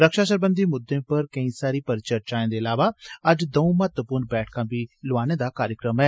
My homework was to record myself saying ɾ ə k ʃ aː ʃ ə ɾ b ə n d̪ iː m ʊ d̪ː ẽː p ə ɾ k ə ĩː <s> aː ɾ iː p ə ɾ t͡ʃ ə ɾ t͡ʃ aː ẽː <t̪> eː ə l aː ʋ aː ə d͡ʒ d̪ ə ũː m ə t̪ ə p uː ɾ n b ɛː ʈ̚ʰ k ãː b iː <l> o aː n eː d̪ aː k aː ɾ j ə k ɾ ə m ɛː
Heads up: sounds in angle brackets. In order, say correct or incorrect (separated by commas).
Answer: correct, incorrect, correct